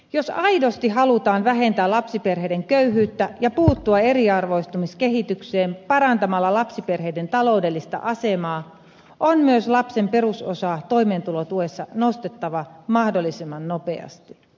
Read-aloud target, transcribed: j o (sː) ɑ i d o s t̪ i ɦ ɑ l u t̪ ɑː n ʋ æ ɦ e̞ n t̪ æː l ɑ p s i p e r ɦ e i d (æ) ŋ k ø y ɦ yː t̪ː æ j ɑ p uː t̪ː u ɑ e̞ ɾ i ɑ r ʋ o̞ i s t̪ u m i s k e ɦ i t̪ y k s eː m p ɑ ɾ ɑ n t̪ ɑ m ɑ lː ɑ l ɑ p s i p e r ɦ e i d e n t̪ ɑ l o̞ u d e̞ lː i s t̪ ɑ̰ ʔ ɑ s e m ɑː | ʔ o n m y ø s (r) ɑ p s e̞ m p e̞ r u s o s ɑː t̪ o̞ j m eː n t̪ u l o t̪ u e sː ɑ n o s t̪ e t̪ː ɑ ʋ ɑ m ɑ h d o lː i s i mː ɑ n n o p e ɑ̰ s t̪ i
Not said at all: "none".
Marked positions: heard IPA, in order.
s, e, l

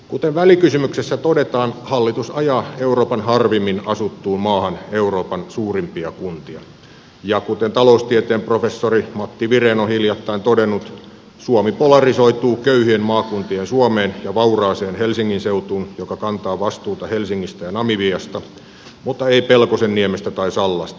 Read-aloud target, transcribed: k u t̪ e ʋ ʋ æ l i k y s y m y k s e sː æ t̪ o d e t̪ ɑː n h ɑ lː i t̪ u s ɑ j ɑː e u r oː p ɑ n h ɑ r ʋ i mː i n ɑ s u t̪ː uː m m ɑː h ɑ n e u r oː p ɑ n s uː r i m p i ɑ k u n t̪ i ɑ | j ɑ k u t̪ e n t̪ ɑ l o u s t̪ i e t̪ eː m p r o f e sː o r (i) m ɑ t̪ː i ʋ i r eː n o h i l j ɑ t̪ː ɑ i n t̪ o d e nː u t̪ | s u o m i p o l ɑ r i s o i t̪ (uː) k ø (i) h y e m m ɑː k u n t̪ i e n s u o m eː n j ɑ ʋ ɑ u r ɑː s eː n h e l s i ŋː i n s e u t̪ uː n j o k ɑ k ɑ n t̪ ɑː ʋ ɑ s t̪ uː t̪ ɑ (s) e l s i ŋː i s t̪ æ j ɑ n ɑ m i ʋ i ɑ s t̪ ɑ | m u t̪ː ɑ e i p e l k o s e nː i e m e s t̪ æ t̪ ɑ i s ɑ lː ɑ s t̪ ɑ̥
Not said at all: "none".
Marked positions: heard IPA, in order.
i, uː, y, h

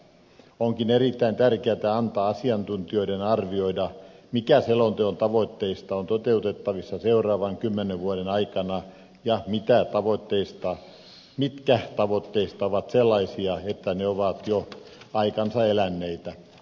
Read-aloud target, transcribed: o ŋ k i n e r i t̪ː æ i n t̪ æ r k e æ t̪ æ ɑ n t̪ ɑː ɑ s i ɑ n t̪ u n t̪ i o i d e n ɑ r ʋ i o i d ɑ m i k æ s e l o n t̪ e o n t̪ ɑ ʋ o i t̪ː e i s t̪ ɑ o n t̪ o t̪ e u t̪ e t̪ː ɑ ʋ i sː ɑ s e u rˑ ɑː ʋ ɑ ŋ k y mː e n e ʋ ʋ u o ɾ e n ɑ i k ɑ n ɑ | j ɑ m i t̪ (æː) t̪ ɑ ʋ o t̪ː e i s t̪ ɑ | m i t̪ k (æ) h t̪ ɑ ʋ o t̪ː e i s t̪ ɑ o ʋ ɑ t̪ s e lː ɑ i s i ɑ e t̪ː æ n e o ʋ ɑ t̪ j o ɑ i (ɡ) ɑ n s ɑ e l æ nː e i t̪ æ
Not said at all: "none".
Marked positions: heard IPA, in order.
æ, æ, k

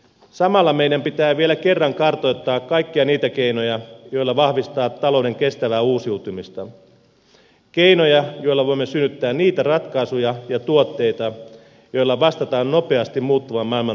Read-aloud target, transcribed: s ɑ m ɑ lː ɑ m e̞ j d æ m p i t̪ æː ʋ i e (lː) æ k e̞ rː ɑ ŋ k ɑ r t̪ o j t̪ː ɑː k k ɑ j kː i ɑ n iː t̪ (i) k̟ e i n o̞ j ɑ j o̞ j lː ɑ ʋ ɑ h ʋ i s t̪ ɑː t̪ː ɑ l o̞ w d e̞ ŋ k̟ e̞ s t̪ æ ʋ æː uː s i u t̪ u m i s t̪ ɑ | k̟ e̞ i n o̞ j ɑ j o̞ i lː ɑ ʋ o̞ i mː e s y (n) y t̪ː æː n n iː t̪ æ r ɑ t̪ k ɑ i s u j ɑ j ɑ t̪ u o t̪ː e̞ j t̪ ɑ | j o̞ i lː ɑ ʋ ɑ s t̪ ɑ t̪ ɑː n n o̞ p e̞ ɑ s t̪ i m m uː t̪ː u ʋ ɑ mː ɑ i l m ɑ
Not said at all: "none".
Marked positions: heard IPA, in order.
l, æ, nː

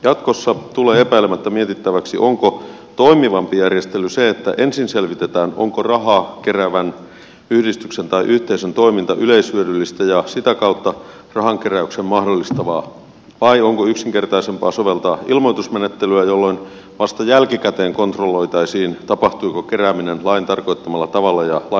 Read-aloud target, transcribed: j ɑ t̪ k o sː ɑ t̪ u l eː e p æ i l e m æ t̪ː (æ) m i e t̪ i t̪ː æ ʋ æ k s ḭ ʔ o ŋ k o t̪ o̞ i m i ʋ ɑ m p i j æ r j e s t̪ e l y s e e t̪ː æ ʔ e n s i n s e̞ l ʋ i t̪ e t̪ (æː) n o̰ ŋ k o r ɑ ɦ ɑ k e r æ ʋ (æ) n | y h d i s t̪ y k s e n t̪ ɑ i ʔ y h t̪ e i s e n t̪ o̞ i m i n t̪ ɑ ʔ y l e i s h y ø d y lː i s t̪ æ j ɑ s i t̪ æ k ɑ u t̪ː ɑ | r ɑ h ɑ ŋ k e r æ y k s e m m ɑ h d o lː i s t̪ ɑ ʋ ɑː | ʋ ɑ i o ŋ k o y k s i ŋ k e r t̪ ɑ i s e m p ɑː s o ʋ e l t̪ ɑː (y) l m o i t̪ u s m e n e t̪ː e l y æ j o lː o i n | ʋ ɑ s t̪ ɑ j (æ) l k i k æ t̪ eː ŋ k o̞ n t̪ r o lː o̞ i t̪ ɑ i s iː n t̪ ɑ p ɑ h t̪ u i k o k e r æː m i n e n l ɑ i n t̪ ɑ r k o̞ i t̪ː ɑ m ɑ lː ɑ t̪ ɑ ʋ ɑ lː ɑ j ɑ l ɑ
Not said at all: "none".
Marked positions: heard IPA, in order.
æ, æː, æ, i, æ

